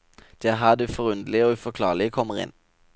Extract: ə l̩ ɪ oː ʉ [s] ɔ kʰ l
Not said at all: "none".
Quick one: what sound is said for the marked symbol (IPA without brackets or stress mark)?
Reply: f